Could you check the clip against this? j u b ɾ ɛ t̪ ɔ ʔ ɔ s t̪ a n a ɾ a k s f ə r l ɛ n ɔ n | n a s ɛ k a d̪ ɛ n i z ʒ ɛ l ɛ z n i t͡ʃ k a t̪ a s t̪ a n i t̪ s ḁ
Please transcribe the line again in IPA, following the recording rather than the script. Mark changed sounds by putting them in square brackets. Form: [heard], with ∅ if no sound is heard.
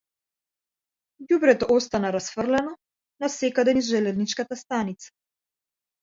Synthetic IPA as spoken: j u b ɾ ɛ t̪ ɔ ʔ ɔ s t̪ a n a ɾ a [∅] s f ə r l ɛ n ɔ [∅] | n a s ɛ k a d̪ ɛ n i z ʒ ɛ l ɛ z n i t͡ʃ k a t̪ a s t̪ a n i t̪ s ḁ